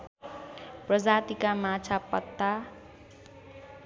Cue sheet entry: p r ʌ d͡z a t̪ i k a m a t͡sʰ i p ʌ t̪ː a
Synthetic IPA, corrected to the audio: p r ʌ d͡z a t̪ i k a m a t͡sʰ a p ʌ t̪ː a